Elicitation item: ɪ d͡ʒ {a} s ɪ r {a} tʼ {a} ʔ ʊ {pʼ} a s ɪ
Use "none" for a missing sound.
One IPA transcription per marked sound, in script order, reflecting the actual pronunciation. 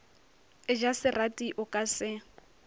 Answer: a, a, i, kʼ

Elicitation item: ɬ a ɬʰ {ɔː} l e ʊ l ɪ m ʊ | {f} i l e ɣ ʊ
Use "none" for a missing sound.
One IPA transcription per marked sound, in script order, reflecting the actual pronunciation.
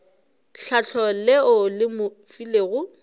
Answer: ɔ, f

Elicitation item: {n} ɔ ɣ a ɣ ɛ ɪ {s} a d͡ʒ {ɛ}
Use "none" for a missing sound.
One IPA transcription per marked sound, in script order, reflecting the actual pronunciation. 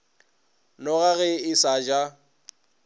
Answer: n, s, a

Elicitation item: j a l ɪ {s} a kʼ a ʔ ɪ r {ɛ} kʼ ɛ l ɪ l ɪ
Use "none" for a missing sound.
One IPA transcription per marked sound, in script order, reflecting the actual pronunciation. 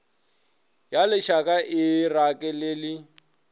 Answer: ʃ, a

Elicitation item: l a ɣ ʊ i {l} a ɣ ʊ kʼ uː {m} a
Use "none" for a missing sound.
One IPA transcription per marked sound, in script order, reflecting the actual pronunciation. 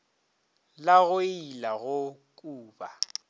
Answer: l, b

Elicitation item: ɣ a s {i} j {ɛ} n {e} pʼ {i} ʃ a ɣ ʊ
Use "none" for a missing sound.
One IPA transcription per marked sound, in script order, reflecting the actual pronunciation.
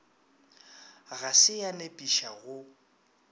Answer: ɪ, a, e, i

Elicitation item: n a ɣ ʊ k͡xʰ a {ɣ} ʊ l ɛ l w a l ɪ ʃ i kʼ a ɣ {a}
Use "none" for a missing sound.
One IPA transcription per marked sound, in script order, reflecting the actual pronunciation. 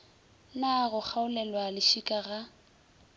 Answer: none, a

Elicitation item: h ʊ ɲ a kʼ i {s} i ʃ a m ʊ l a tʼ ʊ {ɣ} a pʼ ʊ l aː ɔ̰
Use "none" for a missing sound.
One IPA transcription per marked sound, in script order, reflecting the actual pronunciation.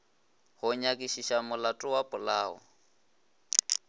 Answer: ʃ, w

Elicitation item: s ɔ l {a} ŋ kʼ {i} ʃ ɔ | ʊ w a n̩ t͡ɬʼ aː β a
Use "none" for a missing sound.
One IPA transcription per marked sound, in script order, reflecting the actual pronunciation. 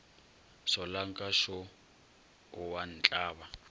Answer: a, a

